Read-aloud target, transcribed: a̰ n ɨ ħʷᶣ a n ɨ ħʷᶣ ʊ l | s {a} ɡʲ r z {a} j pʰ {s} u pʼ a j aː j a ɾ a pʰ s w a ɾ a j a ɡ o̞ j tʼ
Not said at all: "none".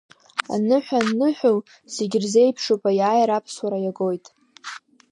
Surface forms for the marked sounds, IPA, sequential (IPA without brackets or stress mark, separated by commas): e, e, ʂ